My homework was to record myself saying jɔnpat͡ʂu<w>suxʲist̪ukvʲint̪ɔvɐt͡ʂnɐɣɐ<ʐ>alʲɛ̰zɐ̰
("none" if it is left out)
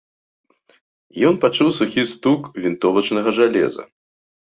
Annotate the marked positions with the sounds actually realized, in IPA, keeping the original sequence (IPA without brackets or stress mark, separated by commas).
w, ʐ